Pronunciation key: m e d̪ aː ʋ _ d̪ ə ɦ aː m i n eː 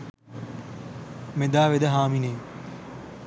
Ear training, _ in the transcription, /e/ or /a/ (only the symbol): e